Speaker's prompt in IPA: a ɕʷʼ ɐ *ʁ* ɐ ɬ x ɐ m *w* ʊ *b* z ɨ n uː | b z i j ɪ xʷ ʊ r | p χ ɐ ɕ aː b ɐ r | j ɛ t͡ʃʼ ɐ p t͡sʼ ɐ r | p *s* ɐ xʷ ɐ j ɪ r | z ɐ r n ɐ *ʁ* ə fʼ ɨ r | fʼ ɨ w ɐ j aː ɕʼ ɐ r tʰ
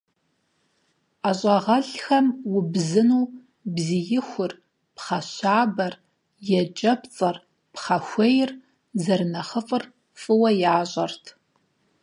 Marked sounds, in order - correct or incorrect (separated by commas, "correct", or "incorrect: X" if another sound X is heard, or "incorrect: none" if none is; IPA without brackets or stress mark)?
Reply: correct, correct, correct, incorrect: χ, incorrect: χ